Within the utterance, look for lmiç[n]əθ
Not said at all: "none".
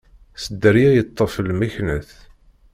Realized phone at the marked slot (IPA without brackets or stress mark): n